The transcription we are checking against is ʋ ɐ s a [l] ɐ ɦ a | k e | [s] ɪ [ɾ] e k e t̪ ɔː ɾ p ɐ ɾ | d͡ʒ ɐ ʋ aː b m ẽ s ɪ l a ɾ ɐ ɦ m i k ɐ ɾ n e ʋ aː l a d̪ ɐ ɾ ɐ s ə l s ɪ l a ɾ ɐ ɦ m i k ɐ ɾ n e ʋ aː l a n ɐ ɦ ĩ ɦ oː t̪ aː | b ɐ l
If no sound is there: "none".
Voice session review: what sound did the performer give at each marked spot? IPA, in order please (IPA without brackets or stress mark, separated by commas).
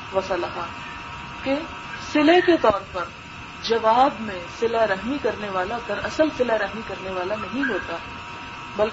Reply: l, s, l